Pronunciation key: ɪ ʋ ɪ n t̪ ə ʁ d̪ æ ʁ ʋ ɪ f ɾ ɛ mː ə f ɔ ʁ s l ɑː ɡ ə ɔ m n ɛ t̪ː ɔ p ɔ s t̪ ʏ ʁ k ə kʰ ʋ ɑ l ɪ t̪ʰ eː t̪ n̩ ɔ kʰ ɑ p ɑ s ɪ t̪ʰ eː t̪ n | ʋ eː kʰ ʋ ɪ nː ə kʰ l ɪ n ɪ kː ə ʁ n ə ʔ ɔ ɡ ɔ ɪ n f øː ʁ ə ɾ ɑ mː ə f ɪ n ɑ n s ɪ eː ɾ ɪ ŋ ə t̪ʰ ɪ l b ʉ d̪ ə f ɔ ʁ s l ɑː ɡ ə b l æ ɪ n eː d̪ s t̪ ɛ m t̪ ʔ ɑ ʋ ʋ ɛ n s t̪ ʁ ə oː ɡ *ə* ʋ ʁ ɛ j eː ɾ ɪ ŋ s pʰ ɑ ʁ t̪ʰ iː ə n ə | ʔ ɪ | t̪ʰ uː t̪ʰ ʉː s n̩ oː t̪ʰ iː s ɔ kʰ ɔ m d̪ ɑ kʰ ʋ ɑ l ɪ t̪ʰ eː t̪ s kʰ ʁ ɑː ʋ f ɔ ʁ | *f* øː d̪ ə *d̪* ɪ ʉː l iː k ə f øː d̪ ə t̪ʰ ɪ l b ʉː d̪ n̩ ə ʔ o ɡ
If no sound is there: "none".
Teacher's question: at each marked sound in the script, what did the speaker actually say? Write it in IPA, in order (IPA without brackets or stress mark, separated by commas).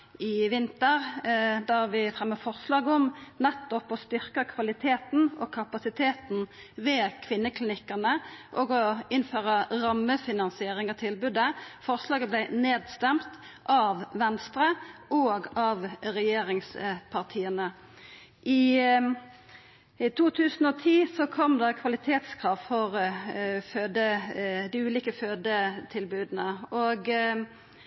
ɑ, f, d̪